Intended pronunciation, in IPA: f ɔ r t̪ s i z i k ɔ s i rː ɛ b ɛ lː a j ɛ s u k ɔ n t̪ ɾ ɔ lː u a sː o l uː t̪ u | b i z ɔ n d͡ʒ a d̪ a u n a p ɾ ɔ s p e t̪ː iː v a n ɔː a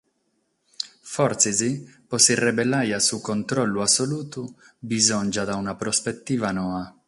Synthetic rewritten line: f ɔ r t̪ s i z i p ɔ s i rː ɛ b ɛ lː a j a s u k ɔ n t̪ ɾ ɔ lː u a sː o l uː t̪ u | b i z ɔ n d͡ʒ a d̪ a u n a p ɾ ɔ s p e t̪ː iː v a n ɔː a

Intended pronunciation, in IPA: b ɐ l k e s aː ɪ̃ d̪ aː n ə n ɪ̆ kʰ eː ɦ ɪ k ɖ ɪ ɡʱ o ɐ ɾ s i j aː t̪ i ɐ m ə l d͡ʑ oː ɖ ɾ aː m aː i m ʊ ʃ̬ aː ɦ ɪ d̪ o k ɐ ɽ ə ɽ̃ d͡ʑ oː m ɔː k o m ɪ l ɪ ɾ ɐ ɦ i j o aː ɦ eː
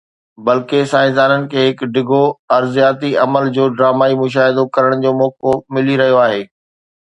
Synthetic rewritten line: b ɐ l k e s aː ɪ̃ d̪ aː n ə n ɪ̆ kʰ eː ɦ ɪ k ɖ ɪ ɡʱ o ɐ ɾ z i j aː t̪ i ɐ m ə l d͡ʑ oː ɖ ɾ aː m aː i m ʊ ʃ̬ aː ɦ ɪ d̪ o k ɐ ɾ ə ɽ̃ d͡ʑ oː m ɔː k o m ɪ l i ɾ ɐ ɦ i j o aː ɦ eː

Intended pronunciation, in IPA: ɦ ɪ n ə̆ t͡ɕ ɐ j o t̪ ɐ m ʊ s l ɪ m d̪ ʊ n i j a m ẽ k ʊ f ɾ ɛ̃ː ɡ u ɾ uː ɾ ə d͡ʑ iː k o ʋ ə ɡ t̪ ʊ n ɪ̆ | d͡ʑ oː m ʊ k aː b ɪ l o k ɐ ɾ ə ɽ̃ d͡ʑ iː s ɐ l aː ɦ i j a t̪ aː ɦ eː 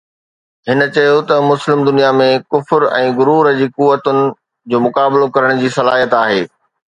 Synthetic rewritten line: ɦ ɪ n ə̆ t͡ɕ ɐ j o t̪ ɐ m ʊ s l ɪ m d̪ ʊ n i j a m ẽ k ʊ f ɾ ɛ̃ː ɡ ʊ ɾ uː ɾ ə d͡ʑ iː k u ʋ ə t̪ ʊ n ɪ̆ | d͡ʑ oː m ʊ k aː b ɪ l o k ɐ ɾ ə ɽ̃ d͡ʑ iː s ɐ l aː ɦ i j ə t̪ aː ɦ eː

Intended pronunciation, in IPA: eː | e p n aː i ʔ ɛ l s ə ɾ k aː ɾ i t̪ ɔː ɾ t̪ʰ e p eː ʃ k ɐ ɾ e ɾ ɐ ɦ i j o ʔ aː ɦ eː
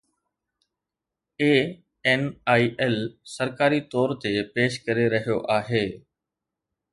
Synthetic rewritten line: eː | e n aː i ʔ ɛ l s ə ɾ k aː ɾ i t̪ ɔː ɾ t̪ e p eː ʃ k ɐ ɾ e ɾ ɐ ɦ i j o ʔ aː ɦ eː

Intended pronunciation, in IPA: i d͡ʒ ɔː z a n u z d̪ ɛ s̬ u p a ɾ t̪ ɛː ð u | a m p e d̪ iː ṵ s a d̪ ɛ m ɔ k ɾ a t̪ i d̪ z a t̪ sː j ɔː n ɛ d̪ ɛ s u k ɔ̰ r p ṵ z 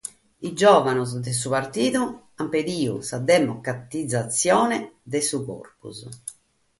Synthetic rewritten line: i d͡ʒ ɔː v a n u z d̪ ɛ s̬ u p a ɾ t̪ iː ð u | a m p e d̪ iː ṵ s a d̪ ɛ m ɔ k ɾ a t̪ i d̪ z a t̪ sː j ɔː n ɛ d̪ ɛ s u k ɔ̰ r p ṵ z

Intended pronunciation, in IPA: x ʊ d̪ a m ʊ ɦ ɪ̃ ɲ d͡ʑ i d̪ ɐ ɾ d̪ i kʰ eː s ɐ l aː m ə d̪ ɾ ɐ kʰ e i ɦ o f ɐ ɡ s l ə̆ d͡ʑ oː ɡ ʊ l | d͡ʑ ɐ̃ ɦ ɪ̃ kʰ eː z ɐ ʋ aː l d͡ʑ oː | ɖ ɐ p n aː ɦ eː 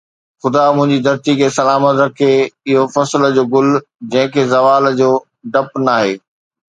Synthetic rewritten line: x ʊ d̪ a m ʊ̃ ɦ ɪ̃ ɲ d͡ʑ i d̪ ɐ ɾ t̪ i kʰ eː s ɐ l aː m ə t̪ ɾ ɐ kʰ e ɪ ɦ o f ɐ s l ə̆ d͡ʑ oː ɡ ʊ l | d͡ʑ ɐ̃ ɦ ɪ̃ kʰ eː z ɐ ʋ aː l d͡ʑ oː | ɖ ɐ p n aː ɦ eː

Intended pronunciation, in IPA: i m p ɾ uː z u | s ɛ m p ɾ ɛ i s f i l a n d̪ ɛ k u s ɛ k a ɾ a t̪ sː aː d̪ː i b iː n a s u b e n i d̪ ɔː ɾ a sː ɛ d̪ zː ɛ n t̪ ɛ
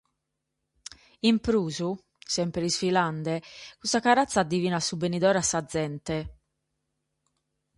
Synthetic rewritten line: i m p ɾ uː z u | s ɛ m p ɾ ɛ i s f i l a n d̪ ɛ k u s a k a ɾ a t̪ sː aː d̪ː i v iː n a s u b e n i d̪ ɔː ɾ a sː a d̪ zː ɛ n t̪ ɛ

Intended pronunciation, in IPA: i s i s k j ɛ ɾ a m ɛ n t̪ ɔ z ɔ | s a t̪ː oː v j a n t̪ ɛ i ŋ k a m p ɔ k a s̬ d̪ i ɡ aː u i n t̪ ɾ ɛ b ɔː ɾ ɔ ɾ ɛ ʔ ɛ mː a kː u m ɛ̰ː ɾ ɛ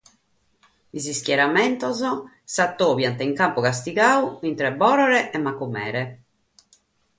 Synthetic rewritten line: i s i s k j ɛ ɾ a m ɛ n t̪ ɔ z ɔ | s a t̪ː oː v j a n t̪ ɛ i ŋ k a m p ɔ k a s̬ t̪ i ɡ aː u i n t̪ ɾ ɛ b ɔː ɾ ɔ ɾ ɛ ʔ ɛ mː a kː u m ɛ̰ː ɾ ɛ

